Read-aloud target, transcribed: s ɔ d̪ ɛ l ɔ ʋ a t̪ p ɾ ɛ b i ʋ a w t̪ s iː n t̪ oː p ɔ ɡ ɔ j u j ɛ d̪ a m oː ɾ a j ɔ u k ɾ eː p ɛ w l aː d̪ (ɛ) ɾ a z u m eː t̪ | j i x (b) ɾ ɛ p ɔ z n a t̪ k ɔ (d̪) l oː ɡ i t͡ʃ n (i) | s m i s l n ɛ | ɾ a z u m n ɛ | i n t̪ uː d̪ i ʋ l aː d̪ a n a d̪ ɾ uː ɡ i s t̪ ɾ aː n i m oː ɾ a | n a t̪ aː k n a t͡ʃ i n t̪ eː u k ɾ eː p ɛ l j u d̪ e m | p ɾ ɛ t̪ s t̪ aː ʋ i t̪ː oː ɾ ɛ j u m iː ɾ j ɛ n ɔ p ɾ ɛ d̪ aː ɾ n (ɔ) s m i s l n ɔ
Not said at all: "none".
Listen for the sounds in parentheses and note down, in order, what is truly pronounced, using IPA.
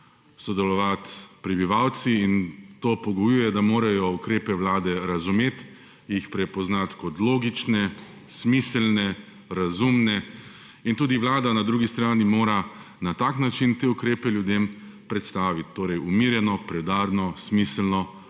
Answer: ɛ, p, t̪, ɛ, ɔ

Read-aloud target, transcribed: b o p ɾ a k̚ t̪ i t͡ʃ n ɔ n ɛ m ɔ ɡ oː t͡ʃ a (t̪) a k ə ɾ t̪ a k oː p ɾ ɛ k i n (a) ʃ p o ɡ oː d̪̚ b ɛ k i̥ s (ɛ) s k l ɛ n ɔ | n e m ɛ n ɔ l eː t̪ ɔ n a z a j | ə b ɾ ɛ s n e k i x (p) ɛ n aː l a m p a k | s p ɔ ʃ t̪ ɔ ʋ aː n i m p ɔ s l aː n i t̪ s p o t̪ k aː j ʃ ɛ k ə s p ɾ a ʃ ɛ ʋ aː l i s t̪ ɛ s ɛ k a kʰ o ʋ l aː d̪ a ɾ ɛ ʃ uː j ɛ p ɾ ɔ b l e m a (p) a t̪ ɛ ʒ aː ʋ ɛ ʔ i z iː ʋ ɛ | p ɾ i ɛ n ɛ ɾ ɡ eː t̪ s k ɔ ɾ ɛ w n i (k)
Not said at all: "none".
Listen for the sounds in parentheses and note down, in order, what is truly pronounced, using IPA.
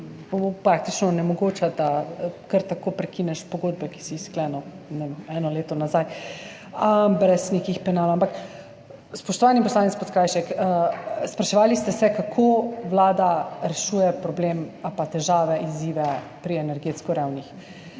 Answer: d̪, ɛ, i, p, p, x

